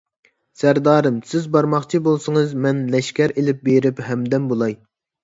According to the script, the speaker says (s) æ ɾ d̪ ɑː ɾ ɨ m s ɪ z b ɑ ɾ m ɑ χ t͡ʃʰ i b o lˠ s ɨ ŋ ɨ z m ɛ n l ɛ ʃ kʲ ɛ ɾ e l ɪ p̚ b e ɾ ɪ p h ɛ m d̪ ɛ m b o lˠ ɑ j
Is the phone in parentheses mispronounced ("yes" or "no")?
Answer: no